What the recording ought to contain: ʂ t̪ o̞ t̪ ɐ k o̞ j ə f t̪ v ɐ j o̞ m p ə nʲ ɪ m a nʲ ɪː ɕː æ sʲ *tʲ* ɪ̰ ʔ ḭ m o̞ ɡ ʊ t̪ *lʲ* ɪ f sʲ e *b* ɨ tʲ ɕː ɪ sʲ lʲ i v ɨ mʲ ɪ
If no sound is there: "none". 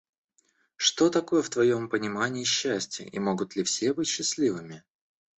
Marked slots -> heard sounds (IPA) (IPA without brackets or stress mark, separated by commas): tʲ, lʲ, b